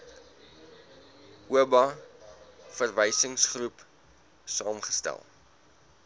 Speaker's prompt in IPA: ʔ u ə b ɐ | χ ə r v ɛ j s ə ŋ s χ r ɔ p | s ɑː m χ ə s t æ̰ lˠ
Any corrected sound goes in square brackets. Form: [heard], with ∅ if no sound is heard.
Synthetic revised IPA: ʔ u ə b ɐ | [f] ə r v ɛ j s ə ŋ s χ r [u] p | s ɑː m χ ə s t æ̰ lˠ

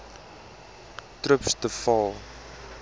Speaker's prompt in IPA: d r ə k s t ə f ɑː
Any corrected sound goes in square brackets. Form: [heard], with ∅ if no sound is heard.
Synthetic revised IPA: [t] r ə [p] s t ə f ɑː

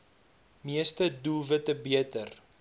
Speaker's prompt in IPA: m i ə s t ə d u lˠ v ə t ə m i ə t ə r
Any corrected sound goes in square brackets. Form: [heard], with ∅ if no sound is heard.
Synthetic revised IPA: m i ə s t ə d u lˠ v ə t ə [b] i ə t ə r

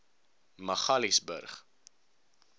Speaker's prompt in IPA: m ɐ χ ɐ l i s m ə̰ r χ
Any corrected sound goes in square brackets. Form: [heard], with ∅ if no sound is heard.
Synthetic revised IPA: m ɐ χ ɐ l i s [b] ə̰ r χ

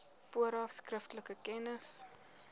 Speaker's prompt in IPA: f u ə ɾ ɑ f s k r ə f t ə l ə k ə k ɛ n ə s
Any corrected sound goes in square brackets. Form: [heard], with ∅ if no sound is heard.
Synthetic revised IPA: f u ə ɾ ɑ f s k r ə f t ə l ə k ə k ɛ n ə s

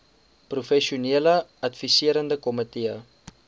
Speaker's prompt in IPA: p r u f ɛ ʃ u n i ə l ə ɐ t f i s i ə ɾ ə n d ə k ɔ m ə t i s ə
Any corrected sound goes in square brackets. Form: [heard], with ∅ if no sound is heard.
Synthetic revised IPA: p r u f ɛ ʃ u n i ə l ə ɐ t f i s i ə ɾ ə n d ə k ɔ m ə t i [∅] ə

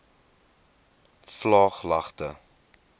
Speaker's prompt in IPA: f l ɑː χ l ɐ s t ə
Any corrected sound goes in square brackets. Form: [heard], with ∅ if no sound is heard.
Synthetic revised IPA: f l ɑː χ l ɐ [χ] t ə

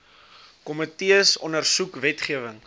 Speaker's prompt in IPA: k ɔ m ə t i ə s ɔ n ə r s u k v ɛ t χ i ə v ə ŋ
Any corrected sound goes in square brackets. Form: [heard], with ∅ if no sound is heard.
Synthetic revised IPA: k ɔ m ə t i ə s ɔ n ə r s u k v ɛ t χ i ə v ə ŋ

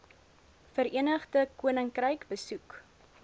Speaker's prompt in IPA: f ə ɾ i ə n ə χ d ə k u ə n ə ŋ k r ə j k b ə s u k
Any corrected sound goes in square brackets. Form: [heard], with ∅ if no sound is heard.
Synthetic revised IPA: f ə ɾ i ə n ə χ d ə k u ə n ə ŋ k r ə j k b ə s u k

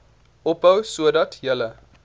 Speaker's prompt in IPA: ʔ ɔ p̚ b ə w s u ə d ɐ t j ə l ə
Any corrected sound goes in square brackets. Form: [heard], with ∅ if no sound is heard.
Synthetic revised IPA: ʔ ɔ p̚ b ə w s u ə d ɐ t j ə l ə

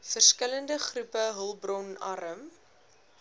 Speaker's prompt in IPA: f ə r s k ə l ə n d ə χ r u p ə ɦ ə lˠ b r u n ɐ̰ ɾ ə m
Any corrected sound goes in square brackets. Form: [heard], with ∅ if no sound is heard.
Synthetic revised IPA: f ə r s k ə l ə n d ə χ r u p ə ɦ ə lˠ b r [ɔ] n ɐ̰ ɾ ə m

